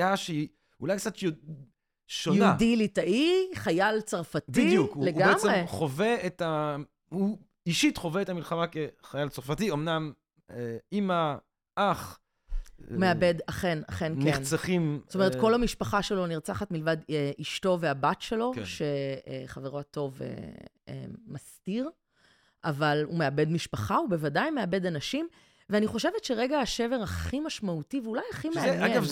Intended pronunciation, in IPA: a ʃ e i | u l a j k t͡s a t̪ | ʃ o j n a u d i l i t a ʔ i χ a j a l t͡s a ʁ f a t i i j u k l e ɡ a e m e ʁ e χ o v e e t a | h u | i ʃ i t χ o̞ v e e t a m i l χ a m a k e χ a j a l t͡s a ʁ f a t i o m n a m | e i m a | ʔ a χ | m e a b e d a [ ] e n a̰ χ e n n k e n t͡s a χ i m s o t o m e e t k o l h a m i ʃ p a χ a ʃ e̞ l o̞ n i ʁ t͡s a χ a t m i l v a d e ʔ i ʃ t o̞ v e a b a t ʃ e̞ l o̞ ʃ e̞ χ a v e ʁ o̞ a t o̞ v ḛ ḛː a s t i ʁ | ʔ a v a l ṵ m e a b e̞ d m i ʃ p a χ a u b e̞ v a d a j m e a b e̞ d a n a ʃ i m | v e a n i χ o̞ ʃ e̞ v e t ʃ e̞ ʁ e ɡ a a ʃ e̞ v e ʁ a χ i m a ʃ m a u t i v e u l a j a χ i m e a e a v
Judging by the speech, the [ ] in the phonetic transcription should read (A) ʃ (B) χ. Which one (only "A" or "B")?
B